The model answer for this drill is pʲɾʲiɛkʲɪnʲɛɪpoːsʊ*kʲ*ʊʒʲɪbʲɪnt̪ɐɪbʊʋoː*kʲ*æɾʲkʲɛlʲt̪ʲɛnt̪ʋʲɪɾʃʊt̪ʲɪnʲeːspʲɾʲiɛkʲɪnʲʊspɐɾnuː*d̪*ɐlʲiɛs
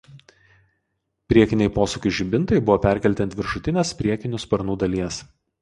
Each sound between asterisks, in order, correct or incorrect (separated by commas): correct, incorrect, correct